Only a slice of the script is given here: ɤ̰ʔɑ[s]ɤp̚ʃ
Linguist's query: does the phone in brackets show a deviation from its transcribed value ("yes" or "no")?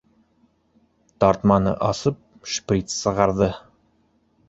no